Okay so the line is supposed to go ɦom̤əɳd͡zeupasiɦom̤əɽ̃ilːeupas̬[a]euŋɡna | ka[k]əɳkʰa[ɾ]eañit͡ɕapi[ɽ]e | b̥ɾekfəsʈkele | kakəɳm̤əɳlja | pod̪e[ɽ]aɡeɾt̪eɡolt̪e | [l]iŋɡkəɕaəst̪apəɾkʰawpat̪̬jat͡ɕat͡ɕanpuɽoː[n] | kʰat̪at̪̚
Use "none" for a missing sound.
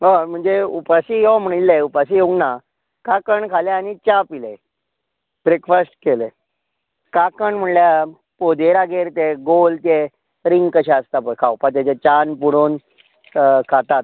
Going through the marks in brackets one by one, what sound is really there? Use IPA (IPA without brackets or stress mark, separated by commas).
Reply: i, k, l, l, ɾ, ɾ, n